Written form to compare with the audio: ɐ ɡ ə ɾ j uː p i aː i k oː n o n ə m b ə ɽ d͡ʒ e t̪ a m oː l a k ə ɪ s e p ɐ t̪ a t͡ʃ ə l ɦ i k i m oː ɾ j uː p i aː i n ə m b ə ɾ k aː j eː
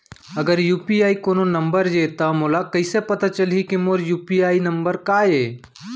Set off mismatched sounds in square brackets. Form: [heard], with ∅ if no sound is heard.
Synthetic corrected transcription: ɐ ɡ ə ɾ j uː p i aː i k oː n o n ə m b ə [ɾ] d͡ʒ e t̪ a m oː l a k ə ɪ s e p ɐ t̪ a t͡ʃ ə l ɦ i k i m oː ɾ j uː p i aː i n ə m b ə ɾ k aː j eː

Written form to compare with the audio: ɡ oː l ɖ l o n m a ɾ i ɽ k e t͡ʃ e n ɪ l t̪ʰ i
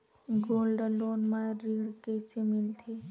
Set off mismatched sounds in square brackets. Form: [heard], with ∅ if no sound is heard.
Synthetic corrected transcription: ɡ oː l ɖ l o n m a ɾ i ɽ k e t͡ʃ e [m] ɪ l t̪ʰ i

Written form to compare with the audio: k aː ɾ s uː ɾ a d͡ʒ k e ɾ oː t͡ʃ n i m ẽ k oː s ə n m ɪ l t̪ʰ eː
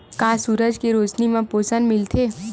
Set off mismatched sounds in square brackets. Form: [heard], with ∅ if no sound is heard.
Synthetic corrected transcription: k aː [∅] s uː ɾ [ə] d͡ʒ k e ɾ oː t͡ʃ n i m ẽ [p] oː s ə n m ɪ l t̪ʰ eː

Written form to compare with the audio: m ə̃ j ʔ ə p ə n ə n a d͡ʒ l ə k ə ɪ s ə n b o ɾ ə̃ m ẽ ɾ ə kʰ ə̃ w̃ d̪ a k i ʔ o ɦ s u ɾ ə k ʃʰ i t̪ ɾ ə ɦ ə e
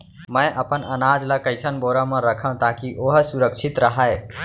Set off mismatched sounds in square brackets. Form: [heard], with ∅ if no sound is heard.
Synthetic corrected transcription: m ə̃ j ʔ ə p ə n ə n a d͡ʒ l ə k ə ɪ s ə n b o ɾ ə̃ m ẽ ɾ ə kʰ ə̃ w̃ [t̪] a k i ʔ o ɦ s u ɾ ə k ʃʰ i t̪ ɾ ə ɦ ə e

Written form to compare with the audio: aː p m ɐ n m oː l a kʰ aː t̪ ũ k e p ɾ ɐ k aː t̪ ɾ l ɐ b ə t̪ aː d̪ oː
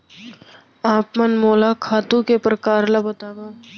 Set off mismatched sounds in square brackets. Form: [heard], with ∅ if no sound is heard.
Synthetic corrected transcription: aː p m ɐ n m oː l a kʰ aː t̪ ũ k e p ɾ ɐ k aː [∅] ɾ l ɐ b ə t̪ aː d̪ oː

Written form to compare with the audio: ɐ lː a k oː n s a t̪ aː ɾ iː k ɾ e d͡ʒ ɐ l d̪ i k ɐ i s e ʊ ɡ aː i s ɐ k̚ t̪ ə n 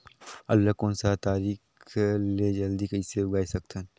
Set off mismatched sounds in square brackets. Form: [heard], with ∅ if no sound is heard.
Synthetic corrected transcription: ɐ lː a k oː n s a t̪ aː ɾ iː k [l] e d͡ʒ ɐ l d̪ i k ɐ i s e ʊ ɡ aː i s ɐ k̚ t̪ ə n

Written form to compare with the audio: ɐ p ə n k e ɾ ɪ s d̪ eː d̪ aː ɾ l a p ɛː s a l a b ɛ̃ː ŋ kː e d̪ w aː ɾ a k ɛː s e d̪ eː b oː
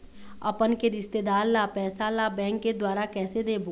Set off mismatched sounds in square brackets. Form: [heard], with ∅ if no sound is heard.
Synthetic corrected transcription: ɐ p ə n k e ɾ ɪ s [t̪] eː d̪ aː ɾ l a p ɛː s a l a b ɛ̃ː ŋ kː e d̪ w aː ɾ a k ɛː s e d̪ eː b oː

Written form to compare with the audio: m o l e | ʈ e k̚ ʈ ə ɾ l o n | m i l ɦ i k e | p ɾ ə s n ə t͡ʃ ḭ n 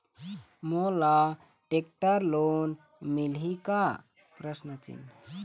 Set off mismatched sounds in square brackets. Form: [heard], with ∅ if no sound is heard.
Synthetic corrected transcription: m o l [a] | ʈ e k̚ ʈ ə ɾ l o n | m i l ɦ i k [a] | p ɾ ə s n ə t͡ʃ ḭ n

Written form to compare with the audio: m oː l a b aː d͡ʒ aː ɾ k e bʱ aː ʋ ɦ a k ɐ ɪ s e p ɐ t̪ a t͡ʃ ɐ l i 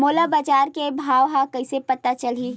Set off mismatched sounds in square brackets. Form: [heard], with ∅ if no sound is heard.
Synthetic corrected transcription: m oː l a b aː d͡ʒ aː ɾ k e bʱ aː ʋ ɦ a k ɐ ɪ s e p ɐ t̪ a t͡ʃ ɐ l i

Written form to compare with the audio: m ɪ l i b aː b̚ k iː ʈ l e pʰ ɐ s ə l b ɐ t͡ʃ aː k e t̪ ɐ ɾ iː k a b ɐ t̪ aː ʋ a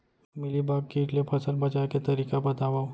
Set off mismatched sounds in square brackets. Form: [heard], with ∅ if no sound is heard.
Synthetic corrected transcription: m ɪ l i b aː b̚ k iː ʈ l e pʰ ɐ s ə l b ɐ t͡ʃ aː k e t̪ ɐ ɾ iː k a b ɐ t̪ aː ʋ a

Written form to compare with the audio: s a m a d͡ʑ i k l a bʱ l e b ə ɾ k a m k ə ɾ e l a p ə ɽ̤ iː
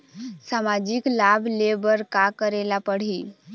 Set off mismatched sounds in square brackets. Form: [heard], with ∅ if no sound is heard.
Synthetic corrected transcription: s a m a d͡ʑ i k l a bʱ l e b ə ɾ k a [∅] k ə ɾ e l a p ə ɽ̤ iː

